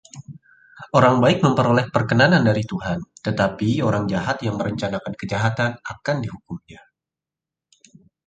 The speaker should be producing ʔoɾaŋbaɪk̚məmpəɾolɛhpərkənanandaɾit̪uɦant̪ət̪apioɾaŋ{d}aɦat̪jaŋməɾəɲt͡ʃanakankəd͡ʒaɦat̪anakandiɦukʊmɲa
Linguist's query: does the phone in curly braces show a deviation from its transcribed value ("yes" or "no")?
yes